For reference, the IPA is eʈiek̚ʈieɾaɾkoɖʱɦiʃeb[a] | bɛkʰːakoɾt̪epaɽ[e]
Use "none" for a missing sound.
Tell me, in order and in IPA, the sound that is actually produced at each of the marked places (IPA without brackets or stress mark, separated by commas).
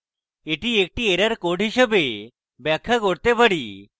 e, i